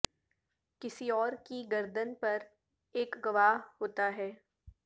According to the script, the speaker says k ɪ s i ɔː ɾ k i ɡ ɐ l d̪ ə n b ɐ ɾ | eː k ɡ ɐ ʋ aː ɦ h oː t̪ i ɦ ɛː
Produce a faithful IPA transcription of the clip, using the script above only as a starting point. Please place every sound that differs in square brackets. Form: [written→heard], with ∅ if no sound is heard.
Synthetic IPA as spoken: k ɪ s i ɔː ɾ k i ɡ ɐ [l→ɾ] d̪ ə n [b→p] ɐ ɾ | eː k ɡ ɐ ʋ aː ɦ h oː t̪ [i→a] ɦ ɛː